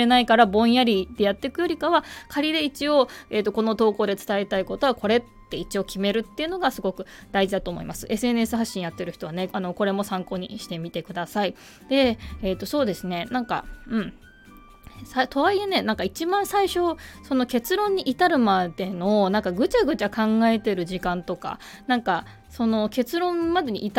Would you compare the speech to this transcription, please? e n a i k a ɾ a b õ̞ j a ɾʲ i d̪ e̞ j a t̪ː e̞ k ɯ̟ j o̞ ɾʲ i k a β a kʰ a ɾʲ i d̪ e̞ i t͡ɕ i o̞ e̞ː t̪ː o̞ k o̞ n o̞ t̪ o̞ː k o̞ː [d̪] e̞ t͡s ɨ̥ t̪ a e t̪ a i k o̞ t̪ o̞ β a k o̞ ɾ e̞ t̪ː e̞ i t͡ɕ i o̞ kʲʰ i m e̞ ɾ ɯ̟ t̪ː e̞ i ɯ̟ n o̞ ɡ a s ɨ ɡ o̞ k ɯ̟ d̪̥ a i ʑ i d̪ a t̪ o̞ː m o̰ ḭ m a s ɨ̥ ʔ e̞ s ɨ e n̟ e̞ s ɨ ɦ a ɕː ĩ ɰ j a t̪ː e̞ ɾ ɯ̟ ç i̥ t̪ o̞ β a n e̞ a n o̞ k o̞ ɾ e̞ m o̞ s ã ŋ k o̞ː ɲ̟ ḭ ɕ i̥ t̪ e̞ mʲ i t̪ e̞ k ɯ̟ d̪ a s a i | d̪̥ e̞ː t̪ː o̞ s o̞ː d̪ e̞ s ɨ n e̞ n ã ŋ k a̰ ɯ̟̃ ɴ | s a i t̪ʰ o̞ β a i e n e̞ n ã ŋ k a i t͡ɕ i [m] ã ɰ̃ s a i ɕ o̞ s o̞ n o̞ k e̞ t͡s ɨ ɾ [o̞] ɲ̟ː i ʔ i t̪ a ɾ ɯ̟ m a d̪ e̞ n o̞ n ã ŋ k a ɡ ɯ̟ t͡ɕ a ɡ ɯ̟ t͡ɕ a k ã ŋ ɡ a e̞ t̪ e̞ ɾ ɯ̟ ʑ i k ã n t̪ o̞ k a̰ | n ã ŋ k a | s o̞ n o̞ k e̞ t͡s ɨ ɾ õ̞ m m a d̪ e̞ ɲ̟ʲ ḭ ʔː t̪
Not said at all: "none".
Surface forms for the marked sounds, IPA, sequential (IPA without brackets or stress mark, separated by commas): d̪, b, õ̞